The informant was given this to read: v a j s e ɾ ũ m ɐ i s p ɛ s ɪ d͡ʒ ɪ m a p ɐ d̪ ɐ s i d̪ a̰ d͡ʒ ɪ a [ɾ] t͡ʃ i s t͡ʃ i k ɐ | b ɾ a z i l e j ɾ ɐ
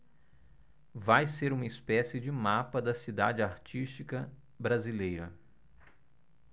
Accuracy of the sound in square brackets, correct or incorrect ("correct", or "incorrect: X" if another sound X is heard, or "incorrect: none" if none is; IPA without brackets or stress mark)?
correct